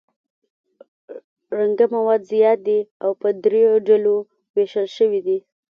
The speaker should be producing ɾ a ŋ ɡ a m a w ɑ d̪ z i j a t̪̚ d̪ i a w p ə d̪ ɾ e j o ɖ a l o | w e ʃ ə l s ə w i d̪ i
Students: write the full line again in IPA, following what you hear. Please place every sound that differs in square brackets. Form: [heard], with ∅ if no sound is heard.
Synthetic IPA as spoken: ɾ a ŋ ɡ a m a w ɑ d̪ z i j [ɑ] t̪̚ d̪ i a w p ə d̪ ɾ e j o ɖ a l o | w e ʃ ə l [ʃ] ə w i d̪ i